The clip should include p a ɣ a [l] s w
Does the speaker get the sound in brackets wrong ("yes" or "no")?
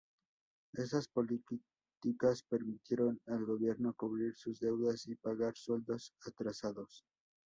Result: yes